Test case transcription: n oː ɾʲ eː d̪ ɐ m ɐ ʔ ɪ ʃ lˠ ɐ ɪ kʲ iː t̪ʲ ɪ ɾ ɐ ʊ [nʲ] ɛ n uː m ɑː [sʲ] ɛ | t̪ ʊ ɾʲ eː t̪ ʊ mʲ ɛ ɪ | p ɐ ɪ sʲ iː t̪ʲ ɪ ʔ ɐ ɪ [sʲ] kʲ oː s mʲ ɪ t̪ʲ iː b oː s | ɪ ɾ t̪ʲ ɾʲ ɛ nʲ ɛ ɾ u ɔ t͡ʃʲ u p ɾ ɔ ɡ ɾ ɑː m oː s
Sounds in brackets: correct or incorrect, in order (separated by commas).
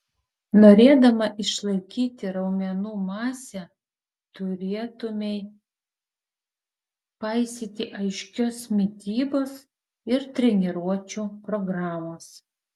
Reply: incorrect, correct, incorrect